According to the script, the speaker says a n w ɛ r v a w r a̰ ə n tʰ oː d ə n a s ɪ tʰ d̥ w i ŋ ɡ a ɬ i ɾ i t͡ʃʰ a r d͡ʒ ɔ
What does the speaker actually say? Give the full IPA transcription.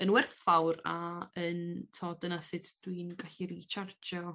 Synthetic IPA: ə n w ɛ r f a w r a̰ ə n tʰ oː d ə n a s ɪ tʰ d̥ w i n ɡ a ɬ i ɾ i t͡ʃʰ a r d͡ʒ ɔ